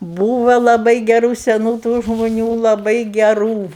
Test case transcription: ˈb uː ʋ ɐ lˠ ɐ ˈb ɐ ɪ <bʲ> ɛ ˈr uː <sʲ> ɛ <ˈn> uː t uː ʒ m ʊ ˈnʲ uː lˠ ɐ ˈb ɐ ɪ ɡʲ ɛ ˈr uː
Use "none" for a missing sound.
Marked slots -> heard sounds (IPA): ɡʲ, sʲ, n

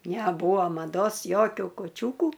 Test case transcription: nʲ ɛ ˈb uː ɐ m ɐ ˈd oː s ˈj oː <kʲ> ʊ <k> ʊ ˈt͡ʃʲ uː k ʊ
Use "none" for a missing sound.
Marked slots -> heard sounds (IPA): kʲ, k

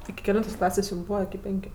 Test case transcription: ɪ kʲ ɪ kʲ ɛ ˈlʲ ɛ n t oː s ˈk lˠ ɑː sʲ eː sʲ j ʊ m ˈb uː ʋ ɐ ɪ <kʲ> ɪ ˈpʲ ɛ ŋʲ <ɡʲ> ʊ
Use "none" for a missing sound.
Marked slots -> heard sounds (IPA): kʲ, kʲ

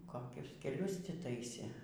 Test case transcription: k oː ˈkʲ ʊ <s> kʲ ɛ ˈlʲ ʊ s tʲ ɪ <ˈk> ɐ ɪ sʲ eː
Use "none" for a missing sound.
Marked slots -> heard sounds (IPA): s, t

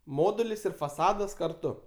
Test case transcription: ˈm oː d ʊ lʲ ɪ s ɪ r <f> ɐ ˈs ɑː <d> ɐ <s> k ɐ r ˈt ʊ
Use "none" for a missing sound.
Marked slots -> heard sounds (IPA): f, d, s

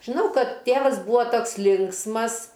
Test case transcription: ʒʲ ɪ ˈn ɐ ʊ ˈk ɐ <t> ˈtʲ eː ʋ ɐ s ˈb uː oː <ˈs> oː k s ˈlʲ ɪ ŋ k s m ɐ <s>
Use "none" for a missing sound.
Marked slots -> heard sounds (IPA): t, t, s

